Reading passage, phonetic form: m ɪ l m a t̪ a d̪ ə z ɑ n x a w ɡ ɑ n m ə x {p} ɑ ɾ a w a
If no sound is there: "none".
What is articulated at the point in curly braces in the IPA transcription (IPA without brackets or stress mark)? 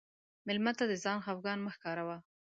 k